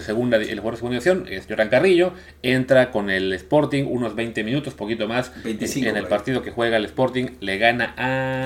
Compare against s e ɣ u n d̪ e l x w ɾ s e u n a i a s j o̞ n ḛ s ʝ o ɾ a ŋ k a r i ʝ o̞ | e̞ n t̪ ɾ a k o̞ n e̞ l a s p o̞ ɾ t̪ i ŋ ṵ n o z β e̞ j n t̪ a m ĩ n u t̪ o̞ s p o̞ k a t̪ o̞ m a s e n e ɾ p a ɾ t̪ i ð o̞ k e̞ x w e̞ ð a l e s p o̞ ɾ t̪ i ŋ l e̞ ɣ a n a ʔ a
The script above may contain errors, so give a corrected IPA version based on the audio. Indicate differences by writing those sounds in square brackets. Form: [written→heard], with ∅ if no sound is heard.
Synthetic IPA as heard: s e ɣ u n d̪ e l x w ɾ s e u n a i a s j o̞ n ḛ s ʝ o ɾ a ŋ k a r i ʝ o̞ | e̞ n t̪ ɾ a k o̞ n e̞ l [a→e] s p o̞ ɾ t̪ i ŋ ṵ n o z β e̞ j n t̪ [a→e] m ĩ n u t̪ o̞ s p o̞ k [a→i] t̪ o̞ m a s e n e [ɾ→l] p a ɾ t̪ i ð o̞ k e̞ x w e̞ [ð→ɣ] a l e s p o̞ ɾ t̪ i ŋ l e̞ ɣ a n a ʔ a